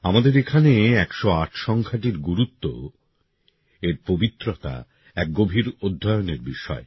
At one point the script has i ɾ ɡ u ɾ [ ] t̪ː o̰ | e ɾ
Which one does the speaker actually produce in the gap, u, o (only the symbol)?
u